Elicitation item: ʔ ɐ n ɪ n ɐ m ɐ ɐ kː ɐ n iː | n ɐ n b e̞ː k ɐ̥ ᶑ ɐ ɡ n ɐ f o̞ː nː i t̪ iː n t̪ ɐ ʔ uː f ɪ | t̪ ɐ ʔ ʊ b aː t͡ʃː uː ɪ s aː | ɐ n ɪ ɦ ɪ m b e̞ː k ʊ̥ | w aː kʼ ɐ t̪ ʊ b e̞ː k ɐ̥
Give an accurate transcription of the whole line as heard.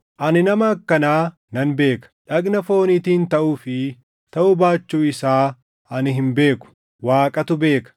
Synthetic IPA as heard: ʔ ɐ n ɪ n ɐ m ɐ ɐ kː ɐ n aː | n ɐ n b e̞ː k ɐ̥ ᶑ ɐ ɡ n ɐ f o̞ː n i t̪ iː n t̪ ɐ ʔ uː f ɪ | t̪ ɐ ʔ ʊ b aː t͡ʃː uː ɪ s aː | ɐ n ɪ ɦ ɪ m b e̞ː k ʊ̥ | w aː kʼ ɐ t̪ ʊ b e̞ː k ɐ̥